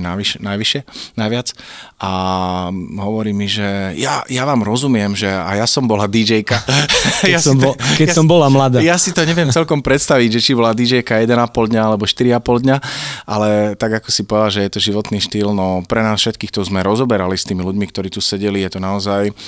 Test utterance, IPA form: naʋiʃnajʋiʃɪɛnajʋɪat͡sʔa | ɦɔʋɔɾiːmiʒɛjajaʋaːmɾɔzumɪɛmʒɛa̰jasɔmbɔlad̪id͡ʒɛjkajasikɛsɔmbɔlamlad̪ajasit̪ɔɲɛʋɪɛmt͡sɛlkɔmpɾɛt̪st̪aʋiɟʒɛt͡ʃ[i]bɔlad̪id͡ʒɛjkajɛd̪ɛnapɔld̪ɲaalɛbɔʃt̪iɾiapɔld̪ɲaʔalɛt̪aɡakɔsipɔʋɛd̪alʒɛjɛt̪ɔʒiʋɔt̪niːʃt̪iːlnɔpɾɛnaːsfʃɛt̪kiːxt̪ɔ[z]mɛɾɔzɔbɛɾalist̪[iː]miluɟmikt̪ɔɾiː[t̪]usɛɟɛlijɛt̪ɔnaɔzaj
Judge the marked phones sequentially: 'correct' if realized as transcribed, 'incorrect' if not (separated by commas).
correct, correct, correct, correct